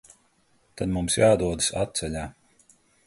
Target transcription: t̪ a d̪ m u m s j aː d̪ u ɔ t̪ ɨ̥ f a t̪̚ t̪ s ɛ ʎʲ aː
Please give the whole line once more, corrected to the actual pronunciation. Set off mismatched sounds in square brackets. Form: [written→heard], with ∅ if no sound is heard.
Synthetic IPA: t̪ a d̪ m u m s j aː d̪ u ɔ [t̪→d̪] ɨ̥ [f→s] a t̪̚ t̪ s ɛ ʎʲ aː

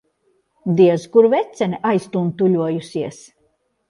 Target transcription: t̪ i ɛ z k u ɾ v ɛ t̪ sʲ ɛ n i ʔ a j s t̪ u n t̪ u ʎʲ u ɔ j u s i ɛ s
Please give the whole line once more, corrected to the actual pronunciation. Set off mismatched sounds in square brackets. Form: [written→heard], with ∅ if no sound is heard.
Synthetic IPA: [t̪→d̪] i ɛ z k u ɾ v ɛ t̪ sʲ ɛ n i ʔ a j s t̪ u n t̪ u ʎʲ u ɔ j u s i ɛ s

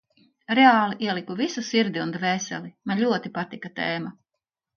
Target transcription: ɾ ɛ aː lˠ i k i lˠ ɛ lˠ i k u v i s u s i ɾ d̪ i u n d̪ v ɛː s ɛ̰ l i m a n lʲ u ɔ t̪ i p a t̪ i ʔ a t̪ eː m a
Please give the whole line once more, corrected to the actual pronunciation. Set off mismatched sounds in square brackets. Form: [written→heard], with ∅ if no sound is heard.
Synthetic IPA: ɾ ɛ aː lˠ i [k→ʔ] i [lˠ→∅] ɛ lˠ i k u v i s u s i ɾ d̪ i u n d̪ v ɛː s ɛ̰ l i m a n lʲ u ɔ t̪ i p a t̪ i [ʔ→k] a t̪ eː m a

